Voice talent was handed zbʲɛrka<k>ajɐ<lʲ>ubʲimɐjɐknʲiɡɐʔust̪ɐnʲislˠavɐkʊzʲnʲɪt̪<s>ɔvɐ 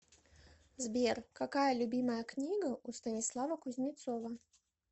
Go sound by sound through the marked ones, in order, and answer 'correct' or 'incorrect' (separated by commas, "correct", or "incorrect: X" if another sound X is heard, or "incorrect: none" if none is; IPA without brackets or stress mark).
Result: correct, correct, correct